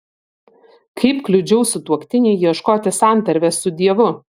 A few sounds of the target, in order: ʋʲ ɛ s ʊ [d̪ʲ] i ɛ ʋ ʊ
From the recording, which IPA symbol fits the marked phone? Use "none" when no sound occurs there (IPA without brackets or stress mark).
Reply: d̪ʲ